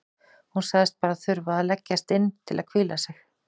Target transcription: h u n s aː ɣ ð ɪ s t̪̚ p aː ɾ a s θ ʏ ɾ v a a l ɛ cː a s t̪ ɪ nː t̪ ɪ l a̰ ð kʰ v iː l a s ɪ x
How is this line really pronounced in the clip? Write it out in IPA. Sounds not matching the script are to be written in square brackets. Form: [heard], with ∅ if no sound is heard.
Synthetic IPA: h u n s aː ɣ ð ɪ s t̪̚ p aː ɾ a [∅] θ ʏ ɾ v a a l ɛ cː a s t̪ ɪ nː [t̪ʰ] ɪ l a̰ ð kʰ v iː l a s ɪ x